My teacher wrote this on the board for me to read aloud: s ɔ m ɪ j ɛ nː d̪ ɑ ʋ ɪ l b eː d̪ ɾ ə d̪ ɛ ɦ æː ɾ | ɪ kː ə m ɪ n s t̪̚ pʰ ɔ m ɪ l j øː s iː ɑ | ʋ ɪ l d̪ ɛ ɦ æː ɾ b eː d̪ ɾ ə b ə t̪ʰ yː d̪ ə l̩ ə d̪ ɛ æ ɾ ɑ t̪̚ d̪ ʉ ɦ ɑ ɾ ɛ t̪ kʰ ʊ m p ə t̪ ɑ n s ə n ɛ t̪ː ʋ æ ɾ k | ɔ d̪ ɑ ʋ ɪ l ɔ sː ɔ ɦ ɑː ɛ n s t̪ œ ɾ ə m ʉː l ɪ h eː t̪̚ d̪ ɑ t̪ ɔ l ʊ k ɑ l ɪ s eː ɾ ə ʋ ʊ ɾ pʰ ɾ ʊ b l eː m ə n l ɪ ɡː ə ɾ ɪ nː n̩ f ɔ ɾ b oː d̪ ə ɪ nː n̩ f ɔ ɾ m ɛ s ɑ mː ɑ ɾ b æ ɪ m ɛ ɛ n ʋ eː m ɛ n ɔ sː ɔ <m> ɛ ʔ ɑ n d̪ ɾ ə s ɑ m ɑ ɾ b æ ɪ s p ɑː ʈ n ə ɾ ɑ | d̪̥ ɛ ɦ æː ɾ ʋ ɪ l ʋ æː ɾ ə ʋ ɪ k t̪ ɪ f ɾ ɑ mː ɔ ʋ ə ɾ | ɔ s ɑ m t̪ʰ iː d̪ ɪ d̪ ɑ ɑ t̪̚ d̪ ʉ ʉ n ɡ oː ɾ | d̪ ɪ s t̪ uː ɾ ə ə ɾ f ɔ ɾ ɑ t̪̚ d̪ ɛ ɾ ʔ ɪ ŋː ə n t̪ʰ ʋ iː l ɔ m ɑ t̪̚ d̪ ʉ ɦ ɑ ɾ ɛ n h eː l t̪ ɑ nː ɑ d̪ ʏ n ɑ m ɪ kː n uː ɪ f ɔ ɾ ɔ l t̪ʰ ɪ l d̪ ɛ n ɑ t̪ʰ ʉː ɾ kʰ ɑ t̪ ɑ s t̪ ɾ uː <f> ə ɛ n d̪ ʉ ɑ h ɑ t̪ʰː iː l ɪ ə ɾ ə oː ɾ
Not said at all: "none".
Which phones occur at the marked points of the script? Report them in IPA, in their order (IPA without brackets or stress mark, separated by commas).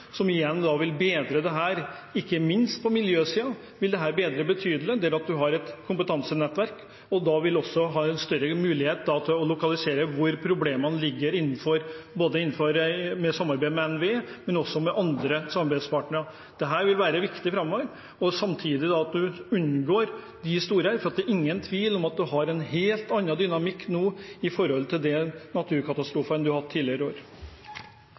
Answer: m, f